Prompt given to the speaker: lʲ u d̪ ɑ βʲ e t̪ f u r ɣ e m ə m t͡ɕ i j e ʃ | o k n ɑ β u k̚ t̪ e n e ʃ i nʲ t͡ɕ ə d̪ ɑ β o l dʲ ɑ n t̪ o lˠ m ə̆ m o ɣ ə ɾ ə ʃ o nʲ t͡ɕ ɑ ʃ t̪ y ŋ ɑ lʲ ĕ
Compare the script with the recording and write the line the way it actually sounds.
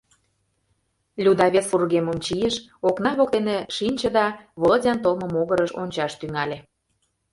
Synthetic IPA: lʲ u d̪ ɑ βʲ e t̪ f u r ɣ e m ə m t͡ɕ i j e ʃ | o k n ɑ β o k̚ t̪ e n e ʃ i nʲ t͡ɕ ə d̪ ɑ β o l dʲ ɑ n t̪ o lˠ m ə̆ m o ɣ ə ɾ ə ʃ o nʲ t͡ɕ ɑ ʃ t̪ y ŋ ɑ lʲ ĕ